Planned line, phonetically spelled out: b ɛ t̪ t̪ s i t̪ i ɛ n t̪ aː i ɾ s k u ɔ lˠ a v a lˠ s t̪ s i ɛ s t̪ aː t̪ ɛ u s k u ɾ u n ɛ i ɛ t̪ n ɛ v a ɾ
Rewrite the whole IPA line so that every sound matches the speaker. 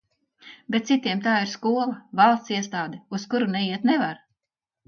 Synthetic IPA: b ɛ t̪ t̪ s i t̪ i ɛ m t̪ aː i ɾ s k u ɔ lˠ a v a lˠ s t̪ s i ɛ s t̪ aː d̪ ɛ u s k u ɾ u n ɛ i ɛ t̪ n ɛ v a ɾ